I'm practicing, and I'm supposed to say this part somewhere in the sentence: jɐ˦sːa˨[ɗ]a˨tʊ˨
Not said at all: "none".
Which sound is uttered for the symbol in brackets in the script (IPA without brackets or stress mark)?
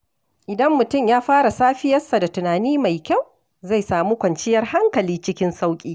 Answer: d